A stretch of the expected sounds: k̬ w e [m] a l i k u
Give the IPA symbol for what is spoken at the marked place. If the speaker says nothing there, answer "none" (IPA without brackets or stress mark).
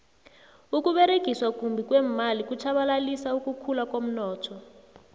m